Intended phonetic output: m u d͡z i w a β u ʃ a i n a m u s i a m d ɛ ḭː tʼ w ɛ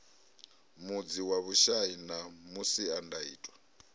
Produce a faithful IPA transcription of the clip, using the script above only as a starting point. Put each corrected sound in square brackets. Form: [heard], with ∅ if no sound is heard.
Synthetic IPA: m u d͡z i w a β u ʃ a i n a m u s i a [n] d [a] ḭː tʼ w [a]